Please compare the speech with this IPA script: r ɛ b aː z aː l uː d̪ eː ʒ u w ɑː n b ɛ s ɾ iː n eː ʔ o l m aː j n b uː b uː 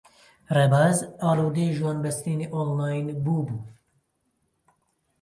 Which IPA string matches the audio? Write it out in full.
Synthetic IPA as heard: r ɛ b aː z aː l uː d̪ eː ʒ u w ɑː n b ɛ s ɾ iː n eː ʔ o l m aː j n b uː b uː